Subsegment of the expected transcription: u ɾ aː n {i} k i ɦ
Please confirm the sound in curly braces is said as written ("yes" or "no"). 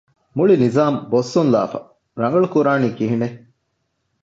no